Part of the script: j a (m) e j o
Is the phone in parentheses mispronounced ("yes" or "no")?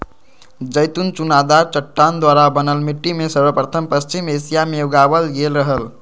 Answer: no